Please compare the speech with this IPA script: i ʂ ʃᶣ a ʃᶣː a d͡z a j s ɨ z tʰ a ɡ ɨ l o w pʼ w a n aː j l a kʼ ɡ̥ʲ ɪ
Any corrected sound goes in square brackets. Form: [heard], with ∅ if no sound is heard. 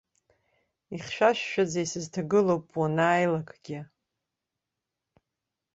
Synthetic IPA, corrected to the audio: i [χ] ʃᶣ a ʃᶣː a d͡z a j s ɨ z tʰ a ɡ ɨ l o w pʼ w a n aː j l a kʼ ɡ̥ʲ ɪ